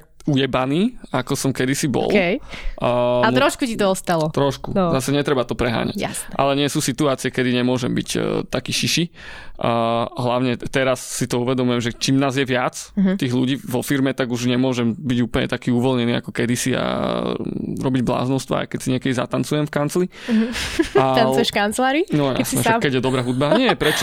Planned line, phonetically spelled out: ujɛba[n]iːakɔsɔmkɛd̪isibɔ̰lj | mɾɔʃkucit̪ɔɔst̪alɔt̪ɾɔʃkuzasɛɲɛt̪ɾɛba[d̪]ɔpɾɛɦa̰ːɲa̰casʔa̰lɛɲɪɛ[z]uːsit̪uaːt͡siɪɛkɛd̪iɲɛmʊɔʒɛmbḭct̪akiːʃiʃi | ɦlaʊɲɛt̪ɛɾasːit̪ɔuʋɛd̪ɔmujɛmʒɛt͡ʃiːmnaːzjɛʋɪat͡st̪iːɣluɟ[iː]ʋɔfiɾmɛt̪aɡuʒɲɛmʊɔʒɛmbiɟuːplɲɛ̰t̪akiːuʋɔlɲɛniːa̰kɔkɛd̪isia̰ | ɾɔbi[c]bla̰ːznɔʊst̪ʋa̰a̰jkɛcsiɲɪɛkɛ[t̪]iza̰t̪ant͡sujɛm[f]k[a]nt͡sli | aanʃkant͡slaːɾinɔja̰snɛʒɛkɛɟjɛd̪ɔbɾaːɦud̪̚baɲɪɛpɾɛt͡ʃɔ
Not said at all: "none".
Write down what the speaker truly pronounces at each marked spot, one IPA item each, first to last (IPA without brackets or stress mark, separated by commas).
n, t̪, s, iː, ɟ, d̪, f, a